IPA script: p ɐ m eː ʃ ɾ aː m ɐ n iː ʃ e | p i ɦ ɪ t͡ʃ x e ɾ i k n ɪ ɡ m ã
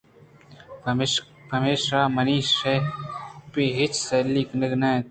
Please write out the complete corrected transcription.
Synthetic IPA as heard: p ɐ m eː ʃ ɾ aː m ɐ n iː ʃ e | p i ɦ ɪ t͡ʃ s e l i k n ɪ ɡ n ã